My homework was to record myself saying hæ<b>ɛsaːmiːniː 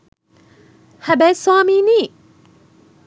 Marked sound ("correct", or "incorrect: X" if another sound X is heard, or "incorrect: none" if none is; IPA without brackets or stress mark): correct